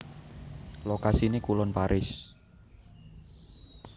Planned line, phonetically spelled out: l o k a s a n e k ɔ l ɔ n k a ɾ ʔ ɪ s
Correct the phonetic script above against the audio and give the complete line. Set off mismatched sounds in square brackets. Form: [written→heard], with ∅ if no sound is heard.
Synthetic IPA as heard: l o k a s [a→i] n e k [ɔ→u] l ɔ n [k→p] a ɾ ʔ ɪ s

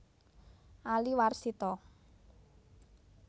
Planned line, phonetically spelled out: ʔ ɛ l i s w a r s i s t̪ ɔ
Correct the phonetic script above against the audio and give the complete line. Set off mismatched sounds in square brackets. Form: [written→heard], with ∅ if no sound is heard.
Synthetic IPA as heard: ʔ [ɛ→a] l i [s→∅] w a r s i [s→∅] t̪ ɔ

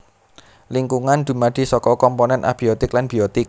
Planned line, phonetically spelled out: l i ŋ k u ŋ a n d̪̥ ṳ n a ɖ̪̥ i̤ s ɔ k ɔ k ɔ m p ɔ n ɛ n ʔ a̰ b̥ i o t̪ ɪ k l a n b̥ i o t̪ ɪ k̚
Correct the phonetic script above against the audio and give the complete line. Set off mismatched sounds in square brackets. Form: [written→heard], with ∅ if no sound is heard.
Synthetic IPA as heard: l i ŋ k u ŋ a n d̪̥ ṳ [n→m] a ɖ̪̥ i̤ s ɔ k ɔ k ɔ m p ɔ n ɛ n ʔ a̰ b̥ i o t̪ ɪ k l a n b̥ i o t̪ ɪ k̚

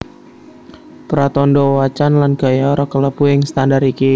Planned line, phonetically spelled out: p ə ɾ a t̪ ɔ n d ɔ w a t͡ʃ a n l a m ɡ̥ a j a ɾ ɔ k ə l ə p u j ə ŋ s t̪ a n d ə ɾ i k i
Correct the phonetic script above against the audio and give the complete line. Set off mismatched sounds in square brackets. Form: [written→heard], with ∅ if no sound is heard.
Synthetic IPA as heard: p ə ɾ a t̪ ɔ n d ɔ w a t͡ʃ a n l a [m→n] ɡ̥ a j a ɾ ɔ k ə l ə p u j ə ŋ s t̪ a n d [ə→a] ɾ i k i

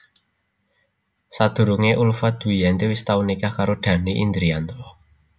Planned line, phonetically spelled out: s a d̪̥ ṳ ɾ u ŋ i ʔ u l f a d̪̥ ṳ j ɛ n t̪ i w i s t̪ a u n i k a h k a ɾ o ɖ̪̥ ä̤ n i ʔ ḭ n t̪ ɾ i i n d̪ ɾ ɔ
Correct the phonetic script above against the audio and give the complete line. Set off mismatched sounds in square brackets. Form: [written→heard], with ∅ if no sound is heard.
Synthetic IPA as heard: s a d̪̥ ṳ ɾ u ŋ [i→e] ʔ u l f a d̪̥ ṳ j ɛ n t̪ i w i s t̪ a u n i k a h k a ɾ o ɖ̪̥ ä̤ n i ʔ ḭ n [t̪→d̪] ɾ i [i→a] n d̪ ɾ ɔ

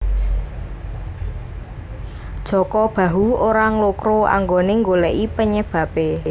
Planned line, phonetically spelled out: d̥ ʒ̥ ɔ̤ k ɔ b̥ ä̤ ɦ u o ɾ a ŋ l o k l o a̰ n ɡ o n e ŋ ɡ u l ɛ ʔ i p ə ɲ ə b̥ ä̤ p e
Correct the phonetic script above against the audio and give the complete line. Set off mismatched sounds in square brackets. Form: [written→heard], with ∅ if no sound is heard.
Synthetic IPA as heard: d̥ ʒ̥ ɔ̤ k ɔ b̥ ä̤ ɦ u o ɾ a ŋ l o k [l→ɾ] o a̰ [n→ŋ] ɡ o n e ŋ ɡ [u→o] l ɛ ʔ i p ə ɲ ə b̥ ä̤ p e

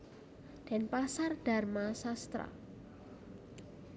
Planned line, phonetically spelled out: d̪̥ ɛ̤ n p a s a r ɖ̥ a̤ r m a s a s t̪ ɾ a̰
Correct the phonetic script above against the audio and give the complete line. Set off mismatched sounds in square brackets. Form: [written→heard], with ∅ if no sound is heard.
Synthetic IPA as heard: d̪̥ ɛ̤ n p a s a r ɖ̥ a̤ r m a s a s t̪ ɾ a̰

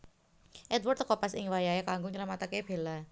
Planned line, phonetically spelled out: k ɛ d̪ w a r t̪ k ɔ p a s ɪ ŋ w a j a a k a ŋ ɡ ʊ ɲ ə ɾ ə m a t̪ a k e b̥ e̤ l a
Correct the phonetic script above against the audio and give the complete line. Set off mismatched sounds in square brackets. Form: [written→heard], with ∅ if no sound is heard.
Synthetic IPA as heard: [k→ʔ] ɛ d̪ w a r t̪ k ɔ p a s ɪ ŋ w a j a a k a ŋ ɡ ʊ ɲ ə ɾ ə m a t̪ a k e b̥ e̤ l a

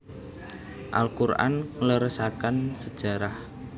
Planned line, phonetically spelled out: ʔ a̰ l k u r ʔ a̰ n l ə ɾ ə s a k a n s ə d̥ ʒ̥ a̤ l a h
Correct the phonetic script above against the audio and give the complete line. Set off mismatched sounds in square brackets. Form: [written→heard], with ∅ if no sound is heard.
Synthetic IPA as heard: ʔ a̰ l k u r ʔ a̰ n l ə ɾ ə s a k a n s ə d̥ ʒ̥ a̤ [l→ɾ] a h

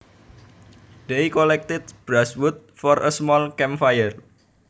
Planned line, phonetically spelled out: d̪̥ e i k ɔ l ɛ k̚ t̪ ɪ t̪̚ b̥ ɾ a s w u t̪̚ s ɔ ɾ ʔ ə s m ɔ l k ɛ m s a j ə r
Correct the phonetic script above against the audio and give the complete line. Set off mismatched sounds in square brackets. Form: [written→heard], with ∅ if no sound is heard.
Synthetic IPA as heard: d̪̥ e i k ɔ l ɛ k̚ t̪ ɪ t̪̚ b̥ ɾ a s w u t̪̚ [s→f] ɔ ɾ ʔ ə s m ɔ l k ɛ m [s→f] a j ə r

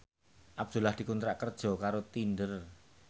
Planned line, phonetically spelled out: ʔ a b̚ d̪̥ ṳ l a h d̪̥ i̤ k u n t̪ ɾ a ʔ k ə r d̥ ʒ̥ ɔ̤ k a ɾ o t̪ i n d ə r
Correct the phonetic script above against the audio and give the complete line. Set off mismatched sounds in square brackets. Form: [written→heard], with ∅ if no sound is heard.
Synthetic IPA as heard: ʔ a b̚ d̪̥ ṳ l a h d̪̥ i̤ k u n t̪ ɾ a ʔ k ə r d̥ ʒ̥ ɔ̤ k a ɾ o t̪ i n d ə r

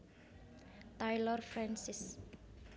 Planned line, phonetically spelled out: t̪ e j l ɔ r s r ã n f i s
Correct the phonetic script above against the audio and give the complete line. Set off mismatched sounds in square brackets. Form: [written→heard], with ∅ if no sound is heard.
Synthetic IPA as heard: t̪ [e→a] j l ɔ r [s→f] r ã n [f→s] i s

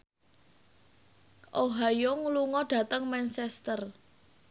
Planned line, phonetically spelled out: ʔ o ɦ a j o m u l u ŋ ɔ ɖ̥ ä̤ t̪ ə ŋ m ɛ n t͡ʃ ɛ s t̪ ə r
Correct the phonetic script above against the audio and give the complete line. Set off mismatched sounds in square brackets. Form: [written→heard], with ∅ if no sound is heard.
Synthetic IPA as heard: ʔ o ɦ a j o [m→ŋ] u l u ŋ ɔ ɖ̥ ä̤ t̪ ə ŋ m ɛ n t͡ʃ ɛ s t̪ ə r

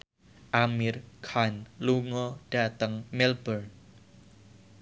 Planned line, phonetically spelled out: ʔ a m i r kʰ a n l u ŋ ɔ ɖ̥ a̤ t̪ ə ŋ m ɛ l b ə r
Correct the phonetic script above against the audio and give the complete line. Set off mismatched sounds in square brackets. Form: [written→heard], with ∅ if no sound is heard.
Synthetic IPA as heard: ʔ a m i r kʰ a n l u ŋ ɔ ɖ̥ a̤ t̪ ə ŋ m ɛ l b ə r

